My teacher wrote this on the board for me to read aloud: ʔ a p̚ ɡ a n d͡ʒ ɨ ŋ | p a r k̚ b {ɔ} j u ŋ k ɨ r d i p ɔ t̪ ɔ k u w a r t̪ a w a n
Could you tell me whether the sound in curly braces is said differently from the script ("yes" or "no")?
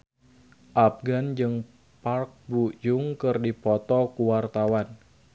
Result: yes